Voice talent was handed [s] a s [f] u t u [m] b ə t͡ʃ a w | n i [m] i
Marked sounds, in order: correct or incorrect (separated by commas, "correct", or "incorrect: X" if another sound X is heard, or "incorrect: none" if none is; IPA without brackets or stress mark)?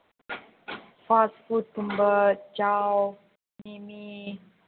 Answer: incorrect: f, correct, correct, correct